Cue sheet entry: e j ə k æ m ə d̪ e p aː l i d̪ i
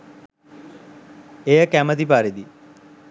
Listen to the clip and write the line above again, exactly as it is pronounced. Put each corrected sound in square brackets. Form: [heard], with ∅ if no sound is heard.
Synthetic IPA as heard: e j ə k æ m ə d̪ [i] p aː [ɾ] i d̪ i